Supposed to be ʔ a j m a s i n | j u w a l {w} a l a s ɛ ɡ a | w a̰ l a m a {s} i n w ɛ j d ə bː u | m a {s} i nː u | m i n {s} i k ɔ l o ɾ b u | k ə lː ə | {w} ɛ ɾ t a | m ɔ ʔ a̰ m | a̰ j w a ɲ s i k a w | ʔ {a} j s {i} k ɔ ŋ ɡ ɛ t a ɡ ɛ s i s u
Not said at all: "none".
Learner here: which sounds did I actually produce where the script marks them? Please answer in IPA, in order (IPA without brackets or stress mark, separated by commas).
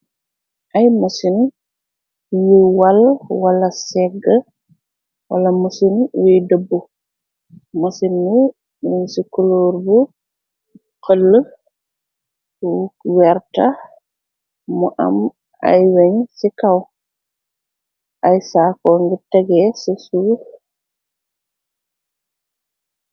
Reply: w, s, s, s, w, a, a